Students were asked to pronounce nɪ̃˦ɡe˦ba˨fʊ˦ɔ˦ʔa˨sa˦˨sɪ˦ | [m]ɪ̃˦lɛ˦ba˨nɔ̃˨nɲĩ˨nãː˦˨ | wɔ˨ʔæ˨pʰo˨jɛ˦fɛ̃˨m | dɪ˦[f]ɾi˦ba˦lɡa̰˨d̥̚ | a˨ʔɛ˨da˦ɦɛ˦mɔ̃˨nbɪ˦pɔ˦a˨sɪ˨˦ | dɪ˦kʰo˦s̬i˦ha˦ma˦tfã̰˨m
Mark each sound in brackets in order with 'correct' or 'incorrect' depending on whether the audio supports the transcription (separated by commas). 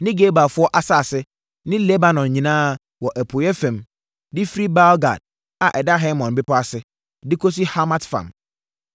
incorrect, correct